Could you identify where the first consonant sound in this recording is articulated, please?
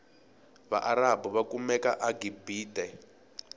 labial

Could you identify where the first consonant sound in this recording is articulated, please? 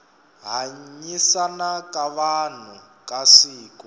glottal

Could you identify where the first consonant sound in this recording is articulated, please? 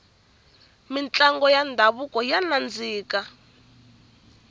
labial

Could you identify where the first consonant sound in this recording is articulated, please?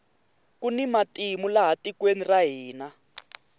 velar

